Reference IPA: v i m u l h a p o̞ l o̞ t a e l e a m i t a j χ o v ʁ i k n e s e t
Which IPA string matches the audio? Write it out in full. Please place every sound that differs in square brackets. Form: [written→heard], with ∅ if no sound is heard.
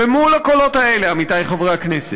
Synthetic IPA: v [i→e] m u l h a [p→k] o̞ l o̞ t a e l e a m i t a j χ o v ʁ [i→a] k n e s e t